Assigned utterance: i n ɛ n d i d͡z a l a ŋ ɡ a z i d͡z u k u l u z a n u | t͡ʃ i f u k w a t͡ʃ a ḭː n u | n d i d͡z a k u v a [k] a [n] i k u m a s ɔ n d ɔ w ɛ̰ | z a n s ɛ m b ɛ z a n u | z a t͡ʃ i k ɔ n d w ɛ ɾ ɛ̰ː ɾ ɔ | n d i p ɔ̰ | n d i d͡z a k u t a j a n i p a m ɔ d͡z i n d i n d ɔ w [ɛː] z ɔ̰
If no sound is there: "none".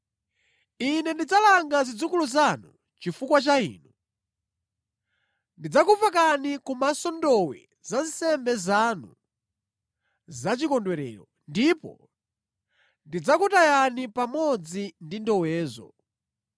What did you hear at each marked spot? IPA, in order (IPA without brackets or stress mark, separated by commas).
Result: k, n, ɛː